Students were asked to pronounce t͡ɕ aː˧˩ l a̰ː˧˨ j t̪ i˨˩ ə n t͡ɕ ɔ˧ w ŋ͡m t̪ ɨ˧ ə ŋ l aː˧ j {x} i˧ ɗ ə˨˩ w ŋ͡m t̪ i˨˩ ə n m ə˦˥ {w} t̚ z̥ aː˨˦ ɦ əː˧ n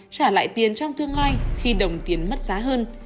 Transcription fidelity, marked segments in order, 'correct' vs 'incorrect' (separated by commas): correct, incorrect